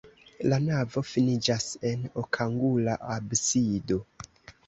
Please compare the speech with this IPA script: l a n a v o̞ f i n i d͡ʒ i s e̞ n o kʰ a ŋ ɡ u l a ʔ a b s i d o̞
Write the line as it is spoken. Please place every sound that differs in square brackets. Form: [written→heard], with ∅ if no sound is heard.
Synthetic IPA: l a n a v o̞ f i n i d͡ʒ [i→a] s e̞ n o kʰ a ŋ ɡ u l a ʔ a b s i d o̞